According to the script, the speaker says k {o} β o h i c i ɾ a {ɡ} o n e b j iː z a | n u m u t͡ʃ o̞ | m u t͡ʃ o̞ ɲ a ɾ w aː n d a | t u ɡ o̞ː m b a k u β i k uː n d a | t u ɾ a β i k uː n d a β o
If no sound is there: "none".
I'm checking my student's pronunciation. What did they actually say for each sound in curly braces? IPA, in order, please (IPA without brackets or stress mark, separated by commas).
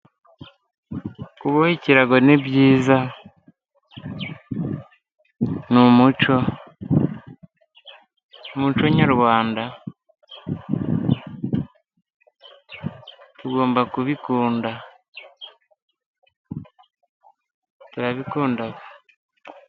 u, ɡ